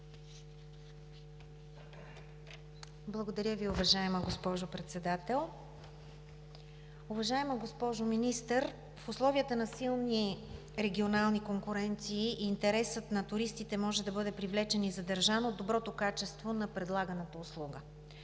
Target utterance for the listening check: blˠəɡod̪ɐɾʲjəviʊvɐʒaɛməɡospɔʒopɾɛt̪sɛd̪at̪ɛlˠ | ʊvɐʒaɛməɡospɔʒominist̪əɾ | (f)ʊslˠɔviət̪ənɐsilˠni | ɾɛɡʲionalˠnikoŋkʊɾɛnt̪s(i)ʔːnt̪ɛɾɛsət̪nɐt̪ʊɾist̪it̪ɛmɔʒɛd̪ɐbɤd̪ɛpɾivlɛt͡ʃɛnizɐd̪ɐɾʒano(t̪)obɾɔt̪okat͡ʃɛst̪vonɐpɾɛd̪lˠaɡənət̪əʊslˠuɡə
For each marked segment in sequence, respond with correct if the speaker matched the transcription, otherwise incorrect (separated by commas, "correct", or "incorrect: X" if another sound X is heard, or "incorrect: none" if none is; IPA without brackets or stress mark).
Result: correct, incorrect: iː, incorrect: d̪